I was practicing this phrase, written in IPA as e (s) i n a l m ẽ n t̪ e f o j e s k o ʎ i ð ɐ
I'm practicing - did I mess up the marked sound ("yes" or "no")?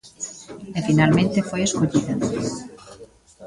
yes